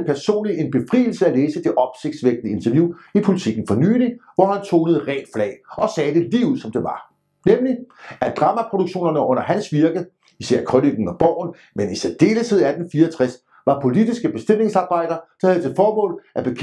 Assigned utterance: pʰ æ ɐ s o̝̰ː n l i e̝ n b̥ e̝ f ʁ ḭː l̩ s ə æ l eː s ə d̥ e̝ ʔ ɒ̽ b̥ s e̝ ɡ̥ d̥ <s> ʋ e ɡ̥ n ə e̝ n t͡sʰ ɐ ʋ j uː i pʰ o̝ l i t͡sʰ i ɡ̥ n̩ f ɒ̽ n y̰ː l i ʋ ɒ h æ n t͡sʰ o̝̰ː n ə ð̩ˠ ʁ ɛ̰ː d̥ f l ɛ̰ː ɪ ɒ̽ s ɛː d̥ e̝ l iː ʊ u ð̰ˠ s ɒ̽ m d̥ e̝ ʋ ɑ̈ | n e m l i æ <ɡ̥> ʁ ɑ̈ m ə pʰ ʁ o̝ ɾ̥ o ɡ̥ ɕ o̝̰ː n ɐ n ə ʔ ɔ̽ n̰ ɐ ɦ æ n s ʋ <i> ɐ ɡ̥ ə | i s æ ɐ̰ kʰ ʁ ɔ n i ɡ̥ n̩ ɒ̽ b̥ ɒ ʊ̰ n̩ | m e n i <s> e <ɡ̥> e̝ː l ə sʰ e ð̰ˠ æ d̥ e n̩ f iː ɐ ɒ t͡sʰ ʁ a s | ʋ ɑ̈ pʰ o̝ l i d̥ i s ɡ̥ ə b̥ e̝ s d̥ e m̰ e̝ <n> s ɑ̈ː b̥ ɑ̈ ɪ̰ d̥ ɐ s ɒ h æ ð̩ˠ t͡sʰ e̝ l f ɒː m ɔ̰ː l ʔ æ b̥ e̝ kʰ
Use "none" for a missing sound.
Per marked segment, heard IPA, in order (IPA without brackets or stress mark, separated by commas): s, d̥, i, s, d̥, ŋ